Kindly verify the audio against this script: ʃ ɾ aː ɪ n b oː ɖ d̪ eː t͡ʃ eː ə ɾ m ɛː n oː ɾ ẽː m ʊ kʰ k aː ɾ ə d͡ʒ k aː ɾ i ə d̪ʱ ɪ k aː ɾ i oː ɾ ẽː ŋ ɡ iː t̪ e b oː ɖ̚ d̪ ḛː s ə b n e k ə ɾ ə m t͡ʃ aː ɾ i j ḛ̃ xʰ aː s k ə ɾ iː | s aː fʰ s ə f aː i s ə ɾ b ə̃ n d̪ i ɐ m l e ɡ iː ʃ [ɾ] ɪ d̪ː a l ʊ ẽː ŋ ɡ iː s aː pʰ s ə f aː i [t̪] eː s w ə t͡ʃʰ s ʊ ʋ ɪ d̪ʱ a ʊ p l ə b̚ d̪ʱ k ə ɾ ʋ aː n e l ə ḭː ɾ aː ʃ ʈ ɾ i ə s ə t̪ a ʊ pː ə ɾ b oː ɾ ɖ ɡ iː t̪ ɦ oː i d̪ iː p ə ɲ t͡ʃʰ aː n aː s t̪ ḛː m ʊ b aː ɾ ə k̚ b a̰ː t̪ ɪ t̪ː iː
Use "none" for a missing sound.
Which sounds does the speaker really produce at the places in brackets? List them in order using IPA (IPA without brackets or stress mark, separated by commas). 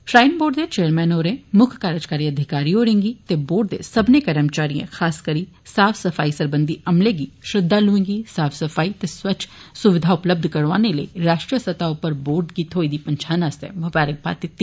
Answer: ɾ, t̪